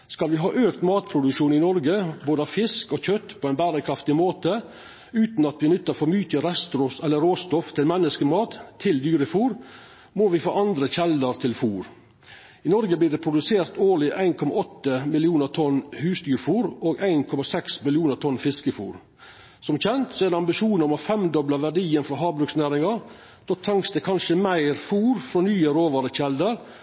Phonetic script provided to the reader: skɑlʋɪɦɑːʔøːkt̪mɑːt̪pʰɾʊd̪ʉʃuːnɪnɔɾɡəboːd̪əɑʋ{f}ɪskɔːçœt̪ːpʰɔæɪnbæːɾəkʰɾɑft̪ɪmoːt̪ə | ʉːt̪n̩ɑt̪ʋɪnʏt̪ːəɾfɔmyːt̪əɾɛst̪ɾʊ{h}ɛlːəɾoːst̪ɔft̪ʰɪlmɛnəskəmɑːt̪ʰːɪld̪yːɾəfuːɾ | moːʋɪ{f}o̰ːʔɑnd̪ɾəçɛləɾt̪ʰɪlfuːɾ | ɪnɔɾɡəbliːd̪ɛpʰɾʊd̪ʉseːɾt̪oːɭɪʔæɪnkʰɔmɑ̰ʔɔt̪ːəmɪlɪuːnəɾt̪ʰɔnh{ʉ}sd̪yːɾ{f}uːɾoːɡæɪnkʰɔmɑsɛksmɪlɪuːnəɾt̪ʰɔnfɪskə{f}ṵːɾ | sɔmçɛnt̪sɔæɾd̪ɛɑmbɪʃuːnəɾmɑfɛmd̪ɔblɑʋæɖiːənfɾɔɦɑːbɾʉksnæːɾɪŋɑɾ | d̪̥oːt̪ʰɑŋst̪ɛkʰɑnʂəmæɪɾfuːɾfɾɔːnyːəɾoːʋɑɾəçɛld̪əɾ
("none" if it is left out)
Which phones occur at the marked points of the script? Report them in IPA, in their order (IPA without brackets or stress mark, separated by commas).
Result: f, s, f, ʉː, f, f